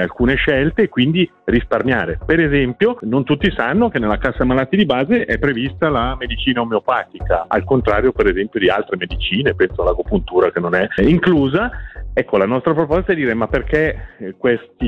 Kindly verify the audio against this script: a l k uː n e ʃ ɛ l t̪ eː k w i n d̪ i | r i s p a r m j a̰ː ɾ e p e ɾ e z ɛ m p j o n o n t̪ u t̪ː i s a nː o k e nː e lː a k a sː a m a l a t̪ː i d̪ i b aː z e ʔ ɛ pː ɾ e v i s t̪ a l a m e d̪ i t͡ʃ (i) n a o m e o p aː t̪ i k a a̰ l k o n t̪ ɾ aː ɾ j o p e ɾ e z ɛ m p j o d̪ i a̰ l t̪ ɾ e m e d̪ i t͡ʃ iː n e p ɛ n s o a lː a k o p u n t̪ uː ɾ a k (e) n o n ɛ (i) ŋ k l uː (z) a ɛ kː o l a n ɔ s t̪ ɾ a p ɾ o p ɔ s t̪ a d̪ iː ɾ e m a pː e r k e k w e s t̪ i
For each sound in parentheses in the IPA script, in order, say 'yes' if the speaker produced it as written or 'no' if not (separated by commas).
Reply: no, yes, yes, yes